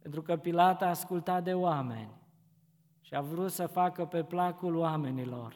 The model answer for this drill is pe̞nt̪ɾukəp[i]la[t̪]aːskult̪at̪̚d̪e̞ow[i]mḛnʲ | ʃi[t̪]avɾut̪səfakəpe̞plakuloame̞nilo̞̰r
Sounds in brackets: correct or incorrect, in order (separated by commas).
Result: correct, correct, incorrect, incorrect